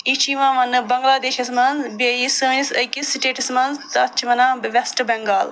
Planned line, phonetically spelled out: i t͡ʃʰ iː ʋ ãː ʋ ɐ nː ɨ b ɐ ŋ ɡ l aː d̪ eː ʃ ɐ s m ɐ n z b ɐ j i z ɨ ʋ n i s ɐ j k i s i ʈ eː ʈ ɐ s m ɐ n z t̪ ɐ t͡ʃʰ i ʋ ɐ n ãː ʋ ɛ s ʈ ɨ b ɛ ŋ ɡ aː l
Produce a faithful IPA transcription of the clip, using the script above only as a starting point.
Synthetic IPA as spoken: i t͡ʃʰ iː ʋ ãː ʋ ɐ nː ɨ b ɐ ŋ ɡ l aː d̪ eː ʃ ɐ s m ɐ n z b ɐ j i s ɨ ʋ n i s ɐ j k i s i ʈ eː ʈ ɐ s m ɐ n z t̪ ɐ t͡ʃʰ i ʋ ɐ n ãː ʋ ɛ s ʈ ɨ b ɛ ŋ ɡ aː l